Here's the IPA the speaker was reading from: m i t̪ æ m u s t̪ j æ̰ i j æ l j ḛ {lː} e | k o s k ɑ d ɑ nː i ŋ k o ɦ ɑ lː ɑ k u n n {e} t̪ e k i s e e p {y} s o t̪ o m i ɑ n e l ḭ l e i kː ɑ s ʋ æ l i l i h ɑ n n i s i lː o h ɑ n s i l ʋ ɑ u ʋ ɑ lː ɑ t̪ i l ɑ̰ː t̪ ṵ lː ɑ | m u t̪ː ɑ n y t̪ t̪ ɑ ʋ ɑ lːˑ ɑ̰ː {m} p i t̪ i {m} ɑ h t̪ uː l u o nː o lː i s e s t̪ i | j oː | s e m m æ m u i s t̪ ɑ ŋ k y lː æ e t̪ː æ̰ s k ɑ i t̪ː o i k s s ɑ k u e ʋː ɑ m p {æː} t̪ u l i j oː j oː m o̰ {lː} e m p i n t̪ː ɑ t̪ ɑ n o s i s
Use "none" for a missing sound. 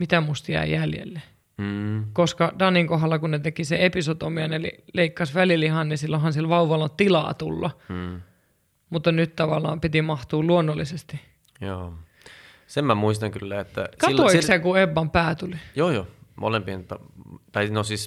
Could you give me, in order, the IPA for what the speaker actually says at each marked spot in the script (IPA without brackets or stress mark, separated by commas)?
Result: lː, e, i, m, m, æː, l